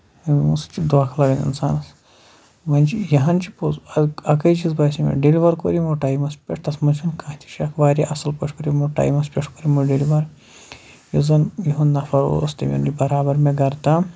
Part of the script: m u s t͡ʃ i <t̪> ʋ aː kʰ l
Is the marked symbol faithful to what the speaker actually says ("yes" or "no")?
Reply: no